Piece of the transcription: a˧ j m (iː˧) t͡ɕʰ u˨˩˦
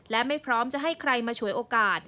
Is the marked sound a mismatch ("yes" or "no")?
yes